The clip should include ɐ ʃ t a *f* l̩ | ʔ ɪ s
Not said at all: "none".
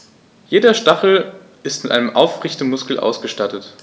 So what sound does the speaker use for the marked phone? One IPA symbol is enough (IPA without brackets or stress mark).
χ